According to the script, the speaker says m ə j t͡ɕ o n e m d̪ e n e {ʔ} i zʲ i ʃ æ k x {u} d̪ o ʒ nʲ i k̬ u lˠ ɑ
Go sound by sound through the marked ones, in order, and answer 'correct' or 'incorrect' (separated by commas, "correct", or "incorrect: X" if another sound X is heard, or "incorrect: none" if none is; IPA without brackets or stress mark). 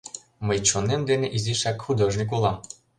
correct, correct